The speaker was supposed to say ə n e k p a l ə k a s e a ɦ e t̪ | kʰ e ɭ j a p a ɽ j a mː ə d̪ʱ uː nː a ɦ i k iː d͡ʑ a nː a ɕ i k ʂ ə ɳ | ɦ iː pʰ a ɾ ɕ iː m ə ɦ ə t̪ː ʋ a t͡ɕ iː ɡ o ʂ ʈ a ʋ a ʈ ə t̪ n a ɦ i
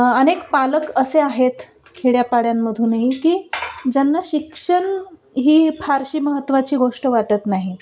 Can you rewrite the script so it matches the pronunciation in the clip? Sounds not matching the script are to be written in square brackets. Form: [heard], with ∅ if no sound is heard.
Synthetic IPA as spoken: ə n e k p a l ə k [ə] s e a ɦ e t̪ | kʰ e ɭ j a p a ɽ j a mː ə d̪ʱ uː [n] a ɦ i k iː d͡ʑ a nː a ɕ i k ʂ ə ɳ | ɦ iː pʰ a ɾ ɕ iː m ə ɦ ə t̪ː ʋ a t͡ɕ iː ɡ o ʂ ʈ [ə] ʋ a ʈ ə t̪ n a ɦ i